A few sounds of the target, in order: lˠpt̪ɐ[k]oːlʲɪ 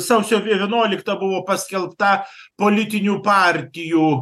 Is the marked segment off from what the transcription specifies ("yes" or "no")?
yes